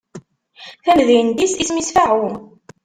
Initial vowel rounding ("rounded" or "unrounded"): unrounded